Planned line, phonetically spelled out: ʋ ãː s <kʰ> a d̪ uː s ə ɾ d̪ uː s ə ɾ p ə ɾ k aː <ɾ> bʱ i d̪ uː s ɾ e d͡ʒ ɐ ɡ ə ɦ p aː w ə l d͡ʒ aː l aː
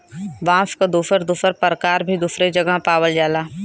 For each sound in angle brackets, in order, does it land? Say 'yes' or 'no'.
no, yes

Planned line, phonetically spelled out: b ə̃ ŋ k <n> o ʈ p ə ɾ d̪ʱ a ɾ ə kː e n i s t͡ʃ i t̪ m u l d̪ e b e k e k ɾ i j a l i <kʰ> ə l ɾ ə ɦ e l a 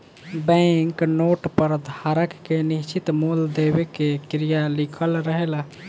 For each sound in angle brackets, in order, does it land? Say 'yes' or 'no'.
yes, yes

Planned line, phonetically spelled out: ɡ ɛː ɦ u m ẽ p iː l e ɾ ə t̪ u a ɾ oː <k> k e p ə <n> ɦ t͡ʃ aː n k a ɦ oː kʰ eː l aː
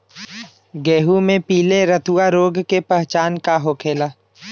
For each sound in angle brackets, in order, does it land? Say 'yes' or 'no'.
no, no

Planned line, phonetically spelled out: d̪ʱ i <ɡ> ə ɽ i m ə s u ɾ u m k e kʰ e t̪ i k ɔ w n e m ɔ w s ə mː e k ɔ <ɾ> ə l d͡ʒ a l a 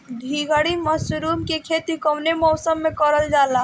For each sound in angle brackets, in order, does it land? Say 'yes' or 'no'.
yes, yes

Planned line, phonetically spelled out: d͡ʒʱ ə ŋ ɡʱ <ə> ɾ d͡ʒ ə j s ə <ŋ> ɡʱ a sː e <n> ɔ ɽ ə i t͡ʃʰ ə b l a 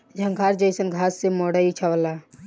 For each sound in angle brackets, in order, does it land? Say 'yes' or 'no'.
no, no, no

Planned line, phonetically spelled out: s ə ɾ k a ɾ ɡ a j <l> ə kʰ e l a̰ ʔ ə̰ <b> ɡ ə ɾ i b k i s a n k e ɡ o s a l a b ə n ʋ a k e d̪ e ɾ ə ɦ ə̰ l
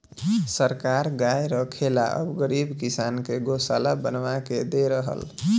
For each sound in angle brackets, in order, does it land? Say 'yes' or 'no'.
no, yes

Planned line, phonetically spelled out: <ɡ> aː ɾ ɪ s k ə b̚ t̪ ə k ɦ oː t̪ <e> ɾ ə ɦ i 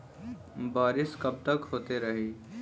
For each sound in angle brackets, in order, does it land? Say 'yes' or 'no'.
no, yes

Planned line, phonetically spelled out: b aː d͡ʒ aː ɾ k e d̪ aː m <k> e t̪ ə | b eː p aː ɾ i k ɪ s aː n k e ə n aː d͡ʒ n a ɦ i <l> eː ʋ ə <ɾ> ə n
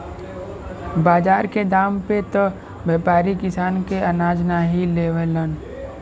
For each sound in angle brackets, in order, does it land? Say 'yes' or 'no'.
no, yes, no

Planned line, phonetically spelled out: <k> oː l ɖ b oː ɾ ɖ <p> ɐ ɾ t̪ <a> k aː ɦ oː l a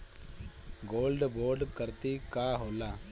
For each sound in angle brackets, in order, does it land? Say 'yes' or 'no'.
no, no, no

